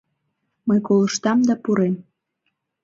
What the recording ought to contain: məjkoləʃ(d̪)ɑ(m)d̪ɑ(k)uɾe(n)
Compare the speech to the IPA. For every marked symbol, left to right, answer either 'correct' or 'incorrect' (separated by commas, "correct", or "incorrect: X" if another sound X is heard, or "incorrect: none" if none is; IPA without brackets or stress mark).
incorrect: t̪, correct, incorrect: p, incorrect: m